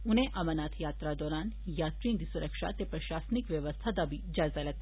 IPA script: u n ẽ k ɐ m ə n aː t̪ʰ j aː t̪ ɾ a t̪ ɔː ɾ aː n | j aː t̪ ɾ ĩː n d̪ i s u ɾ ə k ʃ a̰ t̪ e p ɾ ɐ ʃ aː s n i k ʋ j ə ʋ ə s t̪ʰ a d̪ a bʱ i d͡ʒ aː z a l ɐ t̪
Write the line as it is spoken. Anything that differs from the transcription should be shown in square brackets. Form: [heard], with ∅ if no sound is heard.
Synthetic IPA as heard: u n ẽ [ʔ] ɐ m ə n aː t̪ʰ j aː t̪ ɾ a [d̪] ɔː ɾ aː n | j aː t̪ ɾ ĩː n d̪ i s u ɾ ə k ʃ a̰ t̪ e p ɾ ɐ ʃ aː s n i k ʋ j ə ʋ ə s t̪ʰ a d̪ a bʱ i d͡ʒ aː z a l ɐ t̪